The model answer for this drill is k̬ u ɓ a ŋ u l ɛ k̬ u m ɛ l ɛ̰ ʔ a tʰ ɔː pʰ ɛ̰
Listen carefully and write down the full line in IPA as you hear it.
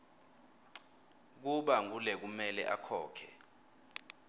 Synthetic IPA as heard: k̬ u ɓ a ŋ u l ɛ k̬ u m ɛ l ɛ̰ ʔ a kʰ ɔː kʰ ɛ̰